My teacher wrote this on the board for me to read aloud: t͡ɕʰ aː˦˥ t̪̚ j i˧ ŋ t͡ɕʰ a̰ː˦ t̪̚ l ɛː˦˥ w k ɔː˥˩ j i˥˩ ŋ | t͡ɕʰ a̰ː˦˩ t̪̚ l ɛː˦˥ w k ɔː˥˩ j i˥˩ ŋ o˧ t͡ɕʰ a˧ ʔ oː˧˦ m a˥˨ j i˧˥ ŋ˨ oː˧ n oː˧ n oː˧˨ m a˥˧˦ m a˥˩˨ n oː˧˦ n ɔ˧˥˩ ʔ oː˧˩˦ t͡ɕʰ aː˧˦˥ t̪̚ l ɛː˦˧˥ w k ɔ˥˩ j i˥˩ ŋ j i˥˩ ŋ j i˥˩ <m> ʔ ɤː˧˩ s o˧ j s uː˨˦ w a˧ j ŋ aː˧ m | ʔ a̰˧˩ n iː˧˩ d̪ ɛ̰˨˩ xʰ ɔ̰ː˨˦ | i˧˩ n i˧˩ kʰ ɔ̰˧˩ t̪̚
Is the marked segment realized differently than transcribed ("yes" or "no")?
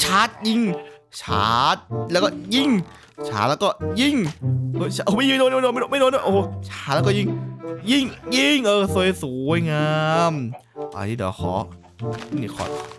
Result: yes